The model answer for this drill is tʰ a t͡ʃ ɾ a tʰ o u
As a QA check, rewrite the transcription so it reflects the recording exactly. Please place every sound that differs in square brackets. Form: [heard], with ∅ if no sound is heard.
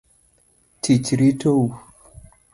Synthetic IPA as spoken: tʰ [i] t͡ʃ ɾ [i] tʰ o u